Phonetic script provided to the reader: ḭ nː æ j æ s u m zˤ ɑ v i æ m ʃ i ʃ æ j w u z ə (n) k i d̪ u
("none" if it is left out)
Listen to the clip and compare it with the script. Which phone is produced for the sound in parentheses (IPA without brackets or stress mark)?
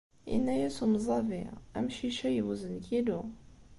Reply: n